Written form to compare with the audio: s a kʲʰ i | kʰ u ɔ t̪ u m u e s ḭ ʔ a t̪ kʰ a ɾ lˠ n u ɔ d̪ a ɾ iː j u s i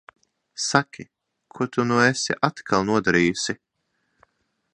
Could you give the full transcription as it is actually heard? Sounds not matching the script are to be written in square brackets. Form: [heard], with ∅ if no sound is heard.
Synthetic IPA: s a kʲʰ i | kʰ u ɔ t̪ u [n] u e s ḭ ʔ a t̪ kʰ a [∅] lˠ n u ɔ d̪ a ɾ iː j u s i

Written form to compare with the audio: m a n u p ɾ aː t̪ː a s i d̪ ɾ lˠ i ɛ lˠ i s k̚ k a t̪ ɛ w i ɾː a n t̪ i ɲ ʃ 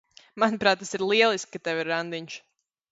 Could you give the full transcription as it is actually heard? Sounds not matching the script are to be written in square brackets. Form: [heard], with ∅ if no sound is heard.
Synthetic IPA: m a n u p ɾ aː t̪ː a s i [∅] ɾ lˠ i ɛ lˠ i s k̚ k a t̪ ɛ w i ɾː a n [d̪] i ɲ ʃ

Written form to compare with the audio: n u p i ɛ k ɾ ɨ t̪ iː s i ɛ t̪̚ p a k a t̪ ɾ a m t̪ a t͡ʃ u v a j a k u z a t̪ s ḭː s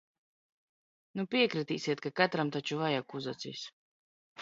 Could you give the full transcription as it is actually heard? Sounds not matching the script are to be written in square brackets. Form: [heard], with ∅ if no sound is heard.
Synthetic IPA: n u p i ɛ k ɾ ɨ t̪ iː s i ɛ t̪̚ [k] a k a t̪ ɾ a m t̪ a t͡ʃ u v a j a k u z a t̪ s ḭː s

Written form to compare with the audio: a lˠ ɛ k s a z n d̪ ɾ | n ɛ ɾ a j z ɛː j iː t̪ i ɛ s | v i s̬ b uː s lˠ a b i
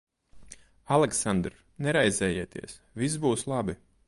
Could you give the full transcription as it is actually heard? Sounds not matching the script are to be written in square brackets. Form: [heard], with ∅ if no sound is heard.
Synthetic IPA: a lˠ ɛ k s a [∅] n d̪ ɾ | n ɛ ɾ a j z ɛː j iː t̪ i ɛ s | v i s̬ b uː s lˠ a b i

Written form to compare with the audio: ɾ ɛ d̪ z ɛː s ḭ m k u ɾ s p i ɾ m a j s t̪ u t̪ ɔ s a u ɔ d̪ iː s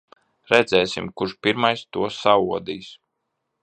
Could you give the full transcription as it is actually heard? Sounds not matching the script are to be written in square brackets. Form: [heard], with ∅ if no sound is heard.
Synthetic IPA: ɾ ɛ d̪ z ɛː s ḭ m k u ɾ [ʃ] p i ɾ m a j s t̪ u [∅] ɔ s a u ɔ d̪ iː s

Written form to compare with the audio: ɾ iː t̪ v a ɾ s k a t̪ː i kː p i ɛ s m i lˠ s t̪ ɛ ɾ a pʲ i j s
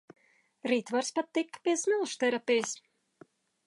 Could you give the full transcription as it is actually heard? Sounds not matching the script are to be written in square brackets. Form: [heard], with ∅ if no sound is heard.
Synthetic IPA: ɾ iː t̪ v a ɾ s [p] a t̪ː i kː p i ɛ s m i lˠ [ʃ] t̪ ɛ ɾ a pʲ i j s

